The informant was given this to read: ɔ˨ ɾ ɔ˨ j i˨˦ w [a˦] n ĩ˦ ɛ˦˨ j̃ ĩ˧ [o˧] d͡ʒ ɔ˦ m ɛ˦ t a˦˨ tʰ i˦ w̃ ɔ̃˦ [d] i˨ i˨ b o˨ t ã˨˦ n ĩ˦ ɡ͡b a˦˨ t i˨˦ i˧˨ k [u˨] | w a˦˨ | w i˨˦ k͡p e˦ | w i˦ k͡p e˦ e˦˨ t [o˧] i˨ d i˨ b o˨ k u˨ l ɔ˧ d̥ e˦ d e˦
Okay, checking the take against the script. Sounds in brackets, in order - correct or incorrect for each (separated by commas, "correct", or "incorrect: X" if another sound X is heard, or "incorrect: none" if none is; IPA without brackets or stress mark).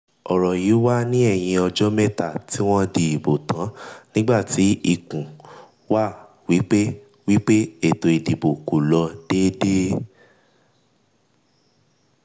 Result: correct, incorrect: ɔ˧, correct, incorrect: ũ˨, correct